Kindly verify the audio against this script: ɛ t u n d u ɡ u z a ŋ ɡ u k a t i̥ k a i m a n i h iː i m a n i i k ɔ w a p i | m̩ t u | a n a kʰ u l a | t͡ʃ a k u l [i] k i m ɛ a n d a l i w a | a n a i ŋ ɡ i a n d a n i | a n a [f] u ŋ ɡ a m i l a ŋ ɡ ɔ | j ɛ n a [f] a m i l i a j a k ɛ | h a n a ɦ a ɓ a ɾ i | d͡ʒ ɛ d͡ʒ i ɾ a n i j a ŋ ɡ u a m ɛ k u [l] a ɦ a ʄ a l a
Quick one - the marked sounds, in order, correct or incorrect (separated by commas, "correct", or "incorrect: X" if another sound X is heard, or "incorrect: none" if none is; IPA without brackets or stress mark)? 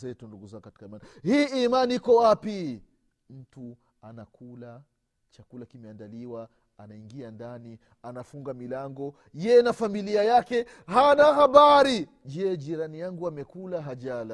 incorrect: a, correct, correct, correct